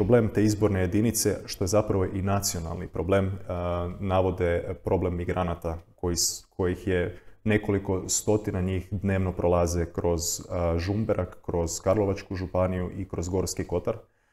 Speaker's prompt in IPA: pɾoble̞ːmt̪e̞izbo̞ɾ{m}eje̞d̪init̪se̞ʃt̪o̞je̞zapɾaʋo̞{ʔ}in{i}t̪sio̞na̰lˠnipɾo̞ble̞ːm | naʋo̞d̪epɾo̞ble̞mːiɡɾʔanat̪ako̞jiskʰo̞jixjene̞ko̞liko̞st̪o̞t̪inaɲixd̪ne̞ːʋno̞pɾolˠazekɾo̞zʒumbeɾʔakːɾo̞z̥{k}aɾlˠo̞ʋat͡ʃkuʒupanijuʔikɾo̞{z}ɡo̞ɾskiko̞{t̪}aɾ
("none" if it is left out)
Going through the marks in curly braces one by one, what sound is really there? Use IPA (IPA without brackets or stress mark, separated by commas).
n, ʔ, a, k, z, t̪